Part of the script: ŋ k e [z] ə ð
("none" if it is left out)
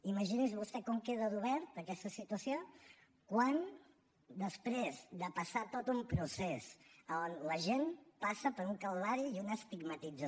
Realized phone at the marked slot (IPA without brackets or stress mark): ð